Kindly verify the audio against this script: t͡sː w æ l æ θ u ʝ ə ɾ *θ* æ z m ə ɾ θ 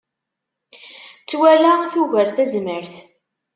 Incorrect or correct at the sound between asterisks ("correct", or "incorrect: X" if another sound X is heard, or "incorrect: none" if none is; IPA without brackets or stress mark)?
correct